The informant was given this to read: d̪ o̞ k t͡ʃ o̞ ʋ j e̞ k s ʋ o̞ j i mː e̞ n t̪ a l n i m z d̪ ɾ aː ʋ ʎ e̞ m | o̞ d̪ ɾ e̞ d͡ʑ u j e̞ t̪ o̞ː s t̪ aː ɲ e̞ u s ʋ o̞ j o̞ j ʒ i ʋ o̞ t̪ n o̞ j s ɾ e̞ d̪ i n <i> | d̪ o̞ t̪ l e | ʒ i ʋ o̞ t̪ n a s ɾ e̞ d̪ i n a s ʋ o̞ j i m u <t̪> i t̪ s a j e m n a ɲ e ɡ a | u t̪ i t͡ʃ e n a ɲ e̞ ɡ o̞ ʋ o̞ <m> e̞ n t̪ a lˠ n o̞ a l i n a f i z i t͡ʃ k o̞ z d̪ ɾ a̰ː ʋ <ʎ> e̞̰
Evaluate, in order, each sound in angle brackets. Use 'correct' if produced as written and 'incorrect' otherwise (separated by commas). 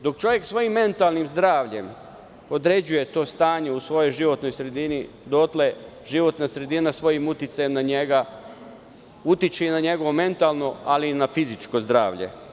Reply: correct, correct, correct, correct